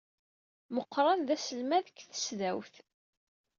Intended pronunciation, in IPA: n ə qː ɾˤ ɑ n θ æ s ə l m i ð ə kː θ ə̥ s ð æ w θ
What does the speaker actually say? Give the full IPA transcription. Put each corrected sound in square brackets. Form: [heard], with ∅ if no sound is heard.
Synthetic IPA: [m] ə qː ɾˤ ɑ n [ð] æ s ə l m [æ] ð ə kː θ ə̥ s ð æ w θ